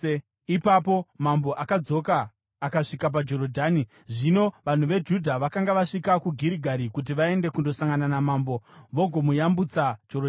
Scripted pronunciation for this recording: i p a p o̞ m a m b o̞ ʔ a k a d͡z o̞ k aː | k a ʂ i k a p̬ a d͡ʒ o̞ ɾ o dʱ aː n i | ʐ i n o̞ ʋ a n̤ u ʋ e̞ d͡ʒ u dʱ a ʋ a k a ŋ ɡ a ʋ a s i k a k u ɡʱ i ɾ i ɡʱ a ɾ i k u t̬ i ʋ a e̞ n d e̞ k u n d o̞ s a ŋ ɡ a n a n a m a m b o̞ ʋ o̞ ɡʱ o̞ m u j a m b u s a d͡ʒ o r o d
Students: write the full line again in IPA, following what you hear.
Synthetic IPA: i p a p o̞ m a m b o̞ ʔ a k a d͡z o̞ k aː | k a ʂ i k a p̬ a d͡ʒ o̞ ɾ o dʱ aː n i | ʐ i n o̞ ʋ a n̤ u ʋ e̞ d͡ʒ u dʱ a ʋ a k a ŋ ɡ a ʋ a ʂ i k a k u ɡʱ i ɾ i ɡʱ a ɾ i k u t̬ i ʋ a e̞ n d e̞ k u n d o̞ s a ŋ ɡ a n a n a m a m b o̞ ʋ o̞ ɡʱ o̞ m u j a m b u t͡s a d͡ʒ o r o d